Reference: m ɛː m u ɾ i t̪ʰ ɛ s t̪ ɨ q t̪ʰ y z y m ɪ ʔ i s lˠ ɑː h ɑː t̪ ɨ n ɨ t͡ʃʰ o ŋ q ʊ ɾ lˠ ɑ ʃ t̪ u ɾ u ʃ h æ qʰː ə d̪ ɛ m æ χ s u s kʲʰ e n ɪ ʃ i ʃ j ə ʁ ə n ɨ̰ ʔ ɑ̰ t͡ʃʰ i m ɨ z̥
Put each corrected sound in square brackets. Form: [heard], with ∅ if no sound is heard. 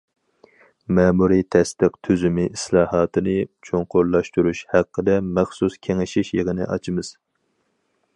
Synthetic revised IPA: m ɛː m u ɾ i t̪ʰ ɛ s t̪ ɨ q t̪ʰ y z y m ɪ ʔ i s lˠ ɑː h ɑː t̪ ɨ n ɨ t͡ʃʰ o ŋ q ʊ ɾ lˠ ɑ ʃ t̪ u ɾ u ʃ h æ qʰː ə d̪ ɛ m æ χ s u s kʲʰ e [ŋ] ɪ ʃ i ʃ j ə ʁ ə n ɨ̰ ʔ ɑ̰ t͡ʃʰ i m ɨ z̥